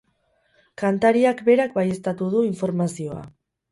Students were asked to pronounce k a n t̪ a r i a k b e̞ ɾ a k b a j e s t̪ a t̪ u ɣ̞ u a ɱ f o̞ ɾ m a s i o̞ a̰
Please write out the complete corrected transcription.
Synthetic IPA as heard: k a n t̪ a ɾ i a k b e̞ ɾ a k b a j e s t̪ a t̪ u ð̞ u i ɱ f o̞ ɾ m a s i o̞ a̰